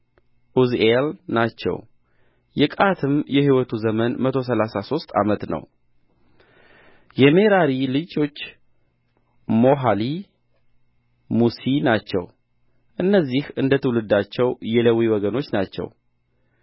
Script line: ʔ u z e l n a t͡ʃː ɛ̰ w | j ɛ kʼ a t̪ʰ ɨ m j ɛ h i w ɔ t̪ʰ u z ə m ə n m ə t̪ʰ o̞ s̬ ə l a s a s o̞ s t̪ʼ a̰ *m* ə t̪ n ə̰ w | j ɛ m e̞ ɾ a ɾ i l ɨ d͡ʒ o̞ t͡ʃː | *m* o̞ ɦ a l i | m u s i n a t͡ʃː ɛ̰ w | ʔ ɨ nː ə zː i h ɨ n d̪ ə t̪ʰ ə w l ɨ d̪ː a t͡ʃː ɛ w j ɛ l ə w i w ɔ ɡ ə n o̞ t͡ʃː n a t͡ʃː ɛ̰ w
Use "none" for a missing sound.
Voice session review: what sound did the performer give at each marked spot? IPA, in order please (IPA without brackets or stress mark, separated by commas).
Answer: m, m